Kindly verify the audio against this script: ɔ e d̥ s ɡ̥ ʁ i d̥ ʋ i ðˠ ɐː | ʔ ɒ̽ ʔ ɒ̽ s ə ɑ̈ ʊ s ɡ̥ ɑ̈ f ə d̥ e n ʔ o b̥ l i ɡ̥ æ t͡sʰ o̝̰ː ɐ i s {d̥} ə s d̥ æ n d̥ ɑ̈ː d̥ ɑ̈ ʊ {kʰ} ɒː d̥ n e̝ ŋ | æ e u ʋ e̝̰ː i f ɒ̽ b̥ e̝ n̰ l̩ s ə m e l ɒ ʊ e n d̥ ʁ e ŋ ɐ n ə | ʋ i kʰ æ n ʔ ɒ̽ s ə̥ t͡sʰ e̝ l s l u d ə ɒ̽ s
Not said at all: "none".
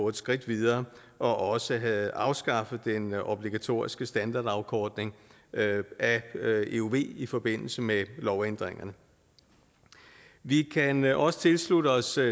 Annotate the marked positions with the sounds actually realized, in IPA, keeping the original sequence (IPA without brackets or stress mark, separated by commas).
ɡ̥, kʰ